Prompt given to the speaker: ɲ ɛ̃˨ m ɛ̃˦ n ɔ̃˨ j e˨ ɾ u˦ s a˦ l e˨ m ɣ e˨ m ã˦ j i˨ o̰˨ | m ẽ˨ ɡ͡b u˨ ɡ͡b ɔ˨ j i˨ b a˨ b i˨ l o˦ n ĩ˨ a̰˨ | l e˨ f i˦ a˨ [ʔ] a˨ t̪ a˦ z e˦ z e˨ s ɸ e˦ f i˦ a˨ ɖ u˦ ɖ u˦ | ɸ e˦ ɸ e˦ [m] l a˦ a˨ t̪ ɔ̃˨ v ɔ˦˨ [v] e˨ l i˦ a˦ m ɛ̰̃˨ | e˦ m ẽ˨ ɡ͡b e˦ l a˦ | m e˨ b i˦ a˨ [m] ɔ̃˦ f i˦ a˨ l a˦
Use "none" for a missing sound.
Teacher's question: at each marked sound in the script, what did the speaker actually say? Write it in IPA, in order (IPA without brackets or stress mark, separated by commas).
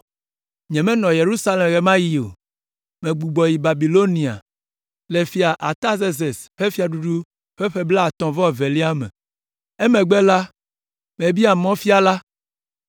ʔ, b, v, m